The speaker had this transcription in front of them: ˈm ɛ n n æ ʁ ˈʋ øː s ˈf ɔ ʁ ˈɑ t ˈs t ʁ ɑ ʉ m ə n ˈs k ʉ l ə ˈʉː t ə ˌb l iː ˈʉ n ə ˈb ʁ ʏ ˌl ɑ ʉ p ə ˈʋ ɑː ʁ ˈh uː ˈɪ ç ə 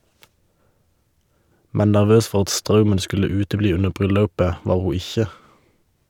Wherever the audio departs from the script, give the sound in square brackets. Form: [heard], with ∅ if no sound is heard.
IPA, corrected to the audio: ˈm ɛ n n æ ʁ ˈʋ øː s ˈf ɔ ʁ ˈɑ t ˈs t ʁ ɑ ʉ m ə n ˈs k ʉ l ə ˈʉː t ə ˌb l iː ˈʉ n ə ˈb ʁ ʏ ˌl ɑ ʉ p ə ˈʋ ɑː ʁ ˈh uː ˈɪ ç ə